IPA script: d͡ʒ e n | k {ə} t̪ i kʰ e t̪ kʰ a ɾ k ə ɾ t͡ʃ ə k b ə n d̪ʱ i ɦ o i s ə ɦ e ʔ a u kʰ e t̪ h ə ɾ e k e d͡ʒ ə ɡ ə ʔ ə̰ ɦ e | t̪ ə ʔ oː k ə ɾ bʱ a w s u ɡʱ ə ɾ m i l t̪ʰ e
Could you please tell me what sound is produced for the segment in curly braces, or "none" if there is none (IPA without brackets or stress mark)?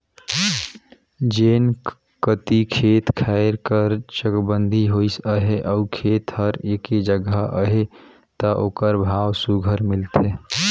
ə